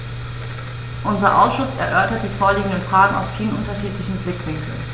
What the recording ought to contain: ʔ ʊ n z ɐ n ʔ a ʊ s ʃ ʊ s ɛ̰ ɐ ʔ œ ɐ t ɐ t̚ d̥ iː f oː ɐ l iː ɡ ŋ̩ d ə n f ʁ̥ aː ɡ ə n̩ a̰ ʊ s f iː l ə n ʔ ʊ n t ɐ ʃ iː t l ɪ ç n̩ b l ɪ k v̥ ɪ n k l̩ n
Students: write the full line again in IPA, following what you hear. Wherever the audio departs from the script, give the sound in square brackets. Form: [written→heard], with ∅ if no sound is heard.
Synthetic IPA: ʔ ʊ n z ɐ [n→∅] ʔ a ʊ s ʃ ʊ s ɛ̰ ɐ ʔ œ ɐ t ɐ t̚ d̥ iː f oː ɐ l iː ɡ ŋ̩ d ə n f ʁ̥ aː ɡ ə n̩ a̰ ʊ s f iː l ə n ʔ ʊ n t ɐ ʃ iː t l ɪ ç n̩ b l ɪ k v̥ ɪ [n→ŋ] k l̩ n